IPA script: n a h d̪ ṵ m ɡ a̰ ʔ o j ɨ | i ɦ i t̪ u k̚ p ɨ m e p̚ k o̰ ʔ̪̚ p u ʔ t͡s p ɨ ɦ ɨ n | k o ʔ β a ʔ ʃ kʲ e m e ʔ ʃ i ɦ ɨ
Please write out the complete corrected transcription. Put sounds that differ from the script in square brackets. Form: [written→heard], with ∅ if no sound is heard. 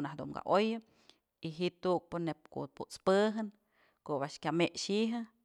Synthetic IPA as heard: n a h d̪ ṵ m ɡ a̰ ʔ o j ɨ | i ɦ i t̪ u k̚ p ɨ [m→n] e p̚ k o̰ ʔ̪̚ p u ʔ t͡s p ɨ ɦ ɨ n | k o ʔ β a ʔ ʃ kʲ [e→a] m e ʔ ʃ i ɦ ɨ